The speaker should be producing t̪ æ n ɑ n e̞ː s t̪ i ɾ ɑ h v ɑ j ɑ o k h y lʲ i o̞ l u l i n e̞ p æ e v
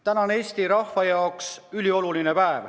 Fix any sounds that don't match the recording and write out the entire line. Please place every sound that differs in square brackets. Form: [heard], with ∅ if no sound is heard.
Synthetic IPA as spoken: t̪ æ n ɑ n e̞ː s t̪ i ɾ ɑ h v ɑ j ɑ o k [s] y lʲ i o̞ l u l i n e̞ p æ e v